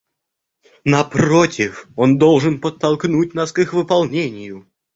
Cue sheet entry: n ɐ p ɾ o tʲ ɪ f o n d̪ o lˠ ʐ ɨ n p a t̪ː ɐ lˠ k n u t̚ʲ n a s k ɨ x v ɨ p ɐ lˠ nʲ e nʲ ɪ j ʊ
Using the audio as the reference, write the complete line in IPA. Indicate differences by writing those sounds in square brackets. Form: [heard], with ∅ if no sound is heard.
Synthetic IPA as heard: n ɐ p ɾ o tʲ ɪ f o n d̪ o lˠ ʐ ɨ n p [ə] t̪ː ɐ lˠ k n u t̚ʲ n a s k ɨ x v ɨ p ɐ lˠ nʲ e nʲ ɪ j ʊ